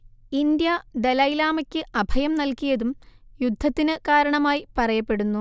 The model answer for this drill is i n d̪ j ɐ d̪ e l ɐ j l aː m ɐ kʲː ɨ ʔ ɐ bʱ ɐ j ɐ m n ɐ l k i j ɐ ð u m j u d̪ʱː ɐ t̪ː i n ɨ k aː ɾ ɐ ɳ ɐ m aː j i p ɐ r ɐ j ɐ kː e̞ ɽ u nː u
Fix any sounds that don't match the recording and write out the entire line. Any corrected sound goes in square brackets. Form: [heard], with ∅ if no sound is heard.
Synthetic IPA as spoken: i n d̪ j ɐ d̪ e l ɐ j l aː m ɐ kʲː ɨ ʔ ɐ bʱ ɐ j ɐ m n ɐ l k i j ɐ ð u m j u d̪ʱː ɐ t̪ː i n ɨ k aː ɾ ɐ ɳ ɐ m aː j i p ɐ r ɐ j ɐ [pː] e̞ ɽ u nː u